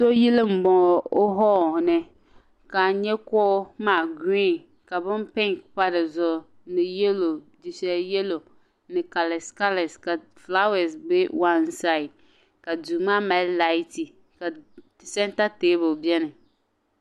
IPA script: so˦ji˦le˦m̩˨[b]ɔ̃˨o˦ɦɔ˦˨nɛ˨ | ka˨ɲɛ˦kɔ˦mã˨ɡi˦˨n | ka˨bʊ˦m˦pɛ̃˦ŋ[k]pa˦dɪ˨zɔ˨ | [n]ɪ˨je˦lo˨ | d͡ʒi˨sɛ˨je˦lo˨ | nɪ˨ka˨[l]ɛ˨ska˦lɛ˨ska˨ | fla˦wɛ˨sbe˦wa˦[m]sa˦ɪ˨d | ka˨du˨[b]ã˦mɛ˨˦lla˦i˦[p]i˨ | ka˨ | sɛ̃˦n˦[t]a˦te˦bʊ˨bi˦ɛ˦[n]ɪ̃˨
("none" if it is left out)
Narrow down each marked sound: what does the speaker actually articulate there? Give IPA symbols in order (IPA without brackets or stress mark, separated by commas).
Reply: b, k, n, l, n, m, t, t, n